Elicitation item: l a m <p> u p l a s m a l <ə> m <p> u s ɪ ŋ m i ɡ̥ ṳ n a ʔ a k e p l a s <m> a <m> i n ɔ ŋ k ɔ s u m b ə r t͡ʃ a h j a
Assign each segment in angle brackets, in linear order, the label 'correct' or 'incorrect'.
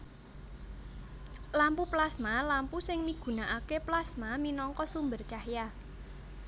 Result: correct, incorrect: a, correct, correct, correct

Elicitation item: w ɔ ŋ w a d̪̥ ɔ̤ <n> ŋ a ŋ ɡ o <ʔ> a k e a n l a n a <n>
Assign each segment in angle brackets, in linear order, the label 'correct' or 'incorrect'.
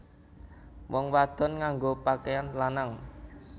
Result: correct, incorrect: p, incorrect: ŋ

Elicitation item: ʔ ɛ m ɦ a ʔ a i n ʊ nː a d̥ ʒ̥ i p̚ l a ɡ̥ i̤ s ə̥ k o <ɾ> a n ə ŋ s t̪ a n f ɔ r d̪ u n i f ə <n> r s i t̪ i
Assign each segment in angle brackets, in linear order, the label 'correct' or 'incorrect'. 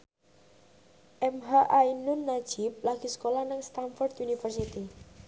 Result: incorrect: l, incorrect: none

